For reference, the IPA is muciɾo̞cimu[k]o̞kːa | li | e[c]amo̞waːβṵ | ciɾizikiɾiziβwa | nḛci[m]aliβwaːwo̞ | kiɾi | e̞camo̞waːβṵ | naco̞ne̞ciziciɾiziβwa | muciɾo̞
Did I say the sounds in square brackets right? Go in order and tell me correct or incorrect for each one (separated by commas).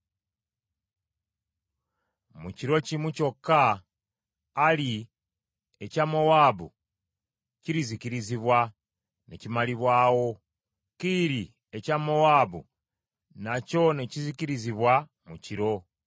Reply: incorrect, correct, correct